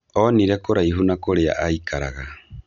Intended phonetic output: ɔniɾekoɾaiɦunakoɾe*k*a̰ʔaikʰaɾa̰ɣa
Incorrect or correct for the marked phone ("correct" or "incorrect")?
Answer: incorrect